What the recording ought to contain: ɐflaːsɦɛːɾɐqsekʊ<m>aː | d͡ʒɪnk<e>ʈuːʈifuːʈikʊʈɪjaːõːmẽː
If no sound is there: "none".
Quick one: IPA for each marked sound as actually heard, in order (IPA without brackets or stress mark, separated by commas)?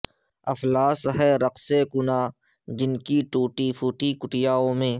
n, i